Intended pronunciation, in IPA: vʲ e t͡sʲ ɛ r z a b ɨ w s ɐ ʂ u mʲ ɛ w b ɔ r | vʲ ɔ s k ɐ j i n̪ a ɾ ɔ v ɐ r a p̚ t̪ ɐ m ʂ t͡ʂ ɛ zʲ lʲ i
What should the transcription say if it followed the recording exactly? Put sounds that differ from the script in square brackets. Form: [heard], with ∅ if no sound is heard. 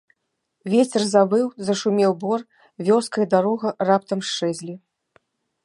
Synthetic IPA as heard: vʲ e t͡sʲ ɛ r z a b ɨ w [z] ɐ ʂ u mʲ ɛ w b ɔ r | vʲ ɔ s k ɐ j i [d̪] a ɾ ɔ [ɣ] ɐ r a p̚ t̪ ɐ m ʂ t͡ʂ ɛ zʲ lʲ i